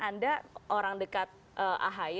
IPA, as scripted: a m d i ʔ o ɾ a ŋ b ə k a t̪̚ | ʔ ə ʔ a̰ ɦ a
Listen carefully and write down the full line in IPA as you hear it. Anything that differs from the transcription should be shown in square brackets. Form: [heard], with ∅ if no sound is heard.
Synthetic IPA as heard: a [n] d [a] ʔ o ɾ a ŋ [d] ə k a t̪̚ | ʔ ə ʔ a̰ ɦ a